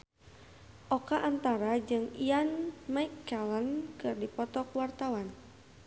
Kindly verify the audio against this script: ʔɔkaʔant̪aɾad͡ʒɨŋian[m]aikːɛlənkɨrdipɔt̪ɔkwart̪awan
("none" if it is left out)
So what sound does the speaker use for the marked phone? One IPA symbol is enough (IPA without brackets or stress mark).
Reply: m